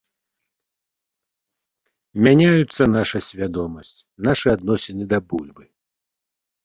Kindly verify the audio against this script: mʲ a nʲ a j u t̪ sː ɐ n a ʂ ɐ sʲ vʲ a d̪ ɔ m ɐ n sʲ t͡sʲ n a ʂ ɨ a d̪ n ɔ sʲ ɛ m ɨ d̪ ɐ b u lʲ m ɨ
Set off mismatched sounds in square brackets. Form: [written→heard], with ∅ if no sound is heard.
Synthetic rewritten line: mʲ a nʲ a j u t̪ sː ɐ n a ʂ ɐ sʲ vʲ a d̪ ɔ m ɐ [n→∅] sʲ t͡sʲ n a ʂ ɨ a d̪ n ɔ sʲ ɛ [m→n] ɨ d̪ ɐ b u lʲ [m→b] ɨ